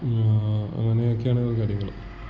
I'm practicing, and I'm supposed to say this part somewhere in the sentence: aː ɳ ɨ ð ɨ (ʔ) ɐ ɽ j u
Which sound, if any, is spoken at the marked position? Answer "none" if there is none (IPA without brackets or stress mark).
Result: k